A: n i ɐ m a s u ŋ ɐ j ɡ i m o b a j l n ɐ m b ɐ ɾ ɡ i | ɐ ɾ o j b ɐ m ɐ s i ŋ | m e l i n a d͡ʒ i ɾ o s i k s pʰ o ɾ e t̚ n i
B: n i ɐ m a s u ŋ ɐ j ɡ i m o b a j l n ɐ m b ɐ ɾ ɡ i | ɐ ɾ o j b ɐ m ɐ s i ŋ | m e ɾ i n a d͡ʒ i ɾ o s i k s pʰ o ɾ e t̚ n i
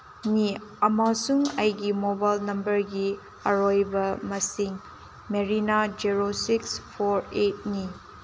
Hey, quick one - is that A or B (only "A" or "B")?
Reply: B